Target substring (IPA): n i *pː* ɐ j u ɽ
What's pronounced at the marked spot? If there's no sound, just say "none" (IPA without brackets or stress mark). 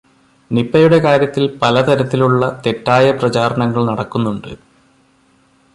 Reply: pː